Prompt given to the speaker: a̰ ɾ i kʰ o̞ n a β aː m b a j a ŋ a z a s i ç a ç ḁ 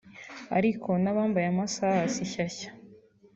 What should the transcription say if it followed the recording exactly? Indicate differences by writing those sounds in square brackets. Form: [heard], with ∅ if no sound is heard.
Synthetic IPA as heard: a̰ ɾ i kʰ o̞ n a β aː m b a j a [m] a [s] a s i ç a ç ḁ